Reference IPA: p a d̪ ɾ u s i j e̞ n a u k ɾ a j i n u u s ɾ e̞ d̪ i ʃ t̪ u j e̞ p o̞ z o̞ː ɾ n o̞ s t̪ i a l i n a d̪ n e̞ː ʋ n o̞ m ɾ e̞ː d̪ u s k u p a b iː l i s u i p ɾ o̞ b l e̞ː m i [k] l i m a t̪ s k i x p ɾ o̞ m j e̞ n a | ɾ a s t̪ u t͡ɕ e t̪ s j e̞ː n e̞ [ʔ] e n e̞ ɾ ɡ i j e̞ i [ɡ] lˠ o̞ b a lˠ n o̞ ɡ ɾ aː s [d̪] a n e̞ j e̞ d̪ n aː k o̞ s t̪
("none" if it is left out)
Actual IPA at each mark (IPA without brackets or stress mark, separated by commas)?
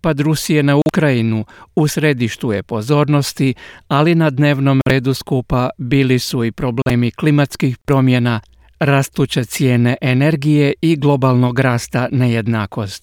k, ʔ, ɡ, t̪